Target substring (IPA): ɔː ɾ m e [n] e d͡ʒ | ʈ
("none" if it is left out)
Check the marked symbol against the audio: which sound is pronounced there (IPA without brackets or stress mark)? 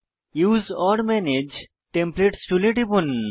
n